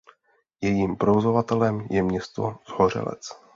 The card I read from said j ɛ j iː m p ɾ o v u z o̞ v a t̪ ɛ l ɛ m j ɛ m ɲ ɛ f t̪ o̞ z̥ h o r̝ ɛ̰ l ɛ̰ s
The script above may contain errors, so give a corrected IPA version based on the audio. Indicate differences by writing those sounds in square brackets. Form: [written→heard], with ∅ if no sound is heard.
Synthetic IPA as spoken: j ɛ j iː m p ɾ o v [u→o] z o̞ v a t̪ ɛ l ɛ m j ɛ m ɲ ɛ [f→s] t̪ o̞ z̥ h o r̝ ɛ̰ l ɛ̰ [s→t͡s]